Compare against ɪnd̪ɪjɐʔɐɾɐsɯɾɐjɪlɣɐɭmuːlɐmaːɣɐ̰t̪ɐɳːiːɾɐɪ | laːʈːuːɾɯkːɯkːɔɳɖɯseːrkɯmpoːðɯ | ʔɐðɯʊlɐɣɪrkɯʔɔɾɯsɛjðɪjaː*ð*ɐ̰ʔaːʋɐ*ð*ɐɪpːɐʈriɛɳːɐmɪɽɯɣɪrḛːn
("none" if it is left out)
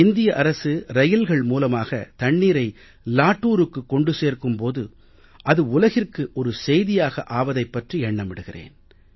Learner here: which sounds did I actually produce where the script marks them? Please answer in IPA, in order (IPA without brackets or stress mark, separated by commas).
ɣ, ð